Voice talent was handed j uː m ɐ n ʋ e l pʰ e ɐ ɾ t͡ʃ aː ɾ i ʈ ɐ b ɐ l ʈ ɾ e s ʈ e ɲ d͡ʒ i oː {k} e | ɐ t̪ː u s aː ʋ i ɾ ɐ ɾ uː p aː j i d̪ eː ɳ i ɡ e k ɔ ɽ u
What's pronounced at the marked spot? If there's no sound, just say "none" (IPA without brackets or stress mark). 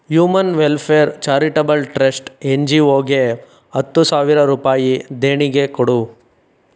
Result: ɡ